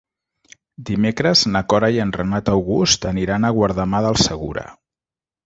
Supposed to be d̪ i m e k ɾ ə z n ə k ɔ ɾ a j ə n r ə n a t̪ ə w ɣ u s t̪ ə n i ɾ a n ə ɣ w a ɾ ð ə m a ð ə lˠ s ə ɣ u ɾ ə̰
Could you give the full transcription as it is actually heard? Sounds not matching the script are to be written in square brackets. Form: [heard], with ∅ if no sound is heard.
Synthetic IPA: d̪ i m e k ɾ ə z n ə k ɔ ɾ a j ə n r ə n a t̪ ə w ɣ u s t̪ ə n i ɾ a n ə ɣ w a ɾ ð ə m a ð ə lˠ s ə ɣ u ɾ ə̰